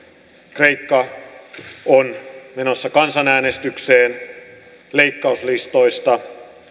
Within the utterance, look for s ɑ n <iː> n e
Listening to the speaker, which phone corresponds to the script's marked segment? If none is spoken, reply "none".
æː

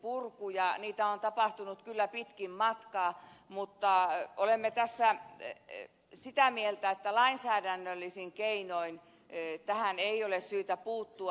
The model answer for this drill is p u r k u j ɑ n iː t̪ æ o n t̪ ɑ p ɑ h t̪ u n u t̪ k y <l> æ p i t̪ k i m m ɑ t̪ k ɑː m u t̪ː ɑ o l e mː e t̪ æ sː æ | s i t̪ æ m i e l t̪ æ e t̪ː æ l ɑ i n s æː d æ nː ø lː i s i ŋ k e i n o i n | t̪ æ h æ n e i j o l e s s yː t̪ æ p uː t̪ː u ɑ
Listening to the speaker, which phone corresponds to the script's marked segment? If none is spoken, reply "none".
lː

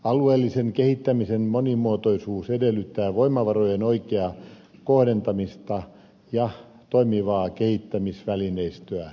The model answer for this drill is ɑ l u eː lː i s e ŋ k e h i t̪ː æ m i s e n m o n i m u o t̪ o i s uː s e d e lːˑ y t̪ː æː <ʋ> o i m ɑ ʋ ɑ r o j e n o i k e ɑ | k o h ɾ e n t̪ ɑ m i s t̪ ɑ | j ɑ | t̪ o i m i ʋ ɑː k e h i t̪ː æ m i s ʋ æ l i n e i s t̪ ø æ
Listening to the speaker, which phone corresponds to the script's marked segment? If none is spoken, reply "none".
ʋ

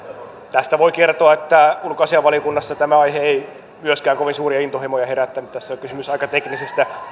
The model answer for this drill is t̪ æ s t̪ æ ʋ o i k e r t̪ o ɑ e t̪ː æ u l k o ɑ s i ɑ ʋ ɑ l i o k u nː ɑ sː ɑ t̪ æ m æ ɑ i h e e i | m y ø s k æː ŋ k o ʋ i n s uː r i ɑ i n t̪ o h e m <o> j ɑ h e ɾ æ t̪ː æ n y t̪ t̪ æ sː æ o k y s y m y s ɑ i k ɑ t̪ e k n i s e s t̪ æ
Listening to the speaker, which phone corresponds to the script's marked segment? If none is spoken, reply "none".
o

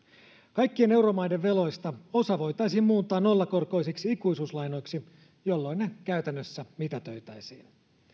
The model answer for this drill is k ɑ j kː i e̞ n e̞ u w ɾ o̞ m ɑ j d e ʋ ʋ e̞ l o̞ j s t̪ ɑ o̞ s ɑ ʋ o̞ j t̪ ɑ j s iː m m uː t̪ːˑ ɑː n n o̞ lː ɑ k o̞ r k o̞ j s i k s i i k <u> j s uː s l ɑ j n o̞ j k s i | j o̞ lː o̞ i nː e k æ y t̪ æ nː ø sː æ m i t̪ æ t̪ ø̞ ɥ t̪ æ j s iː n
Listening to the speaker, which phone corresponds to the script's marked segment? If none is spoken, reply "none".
u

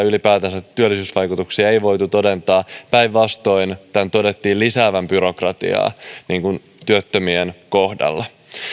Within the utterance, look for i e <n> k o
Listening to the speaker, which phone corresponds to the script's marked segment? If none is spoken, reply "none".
n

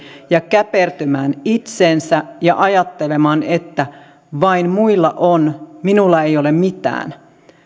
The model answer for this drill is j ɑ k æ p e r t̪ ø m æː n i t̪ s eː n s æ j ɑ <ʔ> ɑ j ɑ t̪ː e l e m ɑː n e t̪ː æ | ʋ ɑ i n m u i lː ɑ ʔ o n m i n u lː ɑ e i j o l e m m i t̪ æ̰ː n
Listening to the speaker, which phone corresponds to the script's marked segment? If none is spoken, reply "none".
ʔ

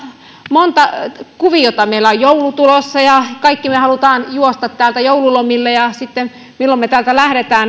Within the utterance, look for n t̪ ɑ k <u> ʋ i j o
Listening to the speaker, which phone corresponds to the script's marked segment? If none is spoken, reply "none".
u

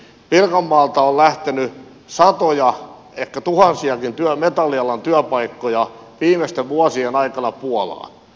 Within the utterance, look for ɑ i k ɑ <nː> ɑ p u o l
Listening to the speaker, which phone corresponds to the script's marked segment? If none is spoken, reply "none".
n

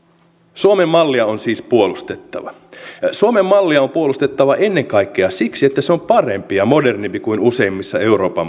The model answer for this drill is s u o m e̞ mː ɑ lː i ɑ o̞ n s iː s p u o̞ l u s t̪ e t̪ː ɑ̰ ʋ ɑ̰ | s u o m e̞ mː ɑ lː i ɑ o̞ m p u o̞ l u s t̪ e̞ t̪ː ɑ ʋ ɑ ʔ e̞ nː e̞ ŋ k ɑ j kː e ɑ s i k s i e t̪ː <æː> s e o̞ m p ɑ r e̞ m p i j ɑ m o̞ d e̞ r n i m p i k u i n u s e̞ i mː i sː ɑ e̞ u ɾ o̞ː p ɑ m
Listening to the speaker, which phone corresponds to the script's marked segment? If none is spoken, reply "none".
æ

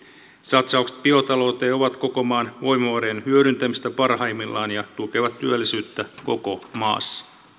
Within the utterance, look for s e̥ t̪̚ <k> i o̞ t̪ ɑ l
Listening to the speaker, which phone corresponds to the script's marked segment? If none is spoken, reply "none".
p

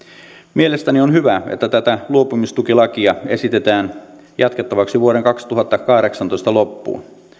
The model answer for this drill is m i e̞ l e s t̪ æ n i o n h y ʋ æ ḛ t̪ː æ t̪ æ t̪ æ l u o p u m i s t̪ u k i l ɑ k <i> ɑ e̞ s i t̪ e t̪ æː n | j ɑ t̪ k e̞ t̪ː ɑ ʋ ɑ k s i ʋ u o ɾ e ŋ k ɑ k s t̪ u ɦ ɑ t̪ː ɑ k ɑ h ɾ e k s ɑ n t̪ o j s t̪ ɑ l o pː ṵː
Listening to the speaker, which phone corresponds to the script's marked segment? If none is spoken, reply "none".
i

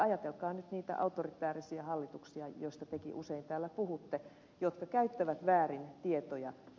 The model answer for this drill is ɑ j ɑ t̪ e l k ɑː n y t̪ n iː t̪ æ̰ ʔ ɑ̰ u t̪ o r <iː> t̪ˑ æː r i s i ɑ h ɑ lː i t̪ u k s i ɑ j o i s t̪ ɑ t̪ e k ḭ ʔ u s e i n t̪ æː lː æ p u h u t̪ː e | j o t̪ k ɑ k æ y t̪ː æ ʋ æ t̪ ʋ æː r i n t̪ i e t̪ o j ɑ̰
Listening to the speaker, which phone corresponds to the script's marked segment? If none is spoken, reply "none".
i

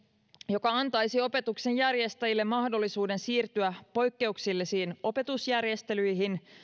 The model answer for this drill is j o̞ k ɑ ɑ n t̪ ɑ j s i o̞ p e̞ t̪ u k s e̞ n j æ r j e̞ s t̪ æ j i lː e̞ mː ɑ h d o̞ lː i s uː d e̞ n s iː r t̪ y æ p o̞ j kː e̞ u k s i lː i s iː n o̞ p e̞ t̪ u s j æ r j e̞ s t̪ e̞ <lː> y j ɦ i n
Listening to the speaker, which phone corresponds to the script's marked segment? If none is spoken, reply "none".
l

